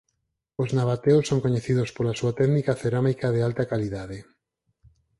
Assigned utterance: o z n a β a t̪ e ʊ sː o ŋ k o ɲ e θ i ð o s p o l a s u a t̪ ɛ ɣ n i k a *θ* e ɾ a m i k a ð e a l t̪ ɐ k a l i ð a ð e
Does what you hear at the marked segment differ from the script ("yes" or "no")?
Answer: no